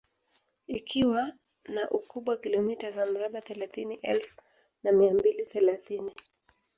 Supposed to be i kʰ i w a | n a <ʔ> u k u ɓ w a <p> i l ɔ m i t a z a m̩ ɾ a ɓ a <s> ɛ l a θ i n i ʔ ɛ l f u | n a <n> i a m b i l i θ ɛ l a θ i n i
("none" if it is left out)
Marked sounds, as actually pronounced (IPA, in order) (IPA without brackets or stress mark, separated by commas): ʔ, k, θ, m